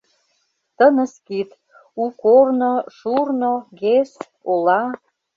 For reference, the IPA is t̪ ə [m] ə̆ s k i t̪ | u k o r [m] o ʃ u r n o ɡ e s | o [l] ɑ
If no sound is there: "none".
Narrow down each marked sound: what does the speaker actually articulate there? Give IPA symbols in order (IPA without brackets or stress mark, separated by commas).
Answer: n, n, l